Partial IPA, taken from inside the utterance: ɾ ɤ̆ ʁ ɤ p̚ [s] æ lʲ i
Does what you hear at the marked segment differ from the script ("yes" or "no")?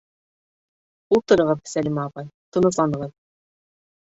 no